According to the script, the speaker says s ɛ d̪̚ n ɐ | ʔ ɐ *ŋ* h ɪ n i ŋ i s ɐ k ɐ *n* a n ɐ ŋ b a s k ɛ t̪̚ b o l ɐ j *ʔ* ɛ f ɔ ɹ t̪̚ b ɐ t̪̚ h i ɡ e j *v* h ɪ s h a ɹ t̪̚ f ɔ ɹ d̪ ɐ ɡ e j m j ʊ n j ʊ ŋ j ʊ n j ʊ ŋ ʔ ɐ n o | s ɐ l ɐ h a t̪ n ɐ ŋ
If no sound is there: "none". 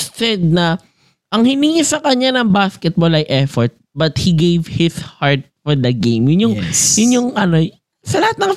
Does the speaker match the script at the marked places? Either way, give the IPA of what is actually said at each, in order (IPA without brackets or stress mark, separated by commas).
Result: ŋ, ɲ, ʔ, v